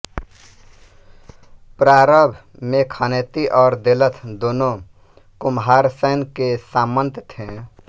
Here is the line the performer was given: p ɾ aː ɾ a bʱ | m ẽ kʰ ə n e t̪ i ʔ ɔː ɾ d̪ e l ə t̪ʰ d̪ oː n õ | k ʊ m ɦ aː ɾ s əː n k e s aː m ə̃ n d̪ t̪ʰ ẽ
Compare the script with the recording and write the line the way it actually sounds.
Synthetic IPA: p ɾ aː ɾ ə bʱ | m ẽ kʰ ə n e t̪ i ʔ ɔː ɾ d̪ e l ə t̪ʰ d̪ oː n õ | k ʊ m ɦ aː ɾ s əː n k e s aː m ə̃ n t̪ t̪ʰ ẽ